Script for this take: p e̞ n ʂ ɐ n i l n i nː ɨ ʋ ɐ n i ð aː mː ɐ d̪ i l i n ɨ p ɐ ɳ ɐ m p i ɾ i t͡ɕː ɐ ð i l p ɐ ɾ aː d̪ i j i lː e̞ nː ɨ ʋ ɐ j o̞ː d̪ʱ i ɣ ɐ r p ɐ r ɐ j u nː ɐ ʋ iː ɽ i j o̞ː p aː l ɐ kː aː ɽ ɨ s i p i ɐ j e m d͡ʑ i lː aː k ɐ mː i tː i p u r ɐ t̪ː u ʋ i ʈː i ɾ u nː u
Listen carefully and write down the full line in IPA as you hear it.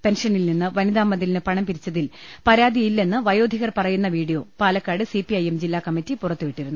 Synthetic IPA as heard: p e̞ n ʂ ɐ n i l n i nː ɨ ʋ ɐ n i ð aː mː ɐ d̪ i l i n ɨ p ɐ ɳ ɐ m p i ɾ i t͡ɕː ɐ ð i l p ɐ ɾ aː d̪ i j i lː e̞ nː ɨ ʋ ɐ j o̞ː d̪ʱ i ɣ ɐ r p ɐ r ɐ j u nː ɐ ʋ iː ɽ i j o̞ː p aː l ɐ kː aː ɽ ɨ s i p i ɐ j e m d͡ʑ i lː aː k ɐ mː i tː i p u r ɐ t̪ː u ʋ i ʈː i ɾ u nː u